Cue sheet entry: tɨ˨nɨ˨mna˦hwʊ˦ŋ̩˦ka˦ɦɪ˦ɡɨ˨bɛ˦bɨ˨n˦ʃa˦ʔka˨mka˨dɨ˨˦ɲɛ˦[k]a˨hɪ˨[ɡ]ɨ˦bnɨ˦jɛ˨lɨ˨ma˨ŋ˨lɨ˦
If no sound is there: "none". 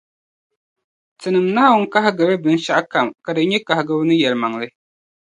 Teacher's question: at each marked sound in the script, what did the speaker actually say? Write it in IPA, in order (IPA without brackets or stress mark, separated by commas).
k, ɡ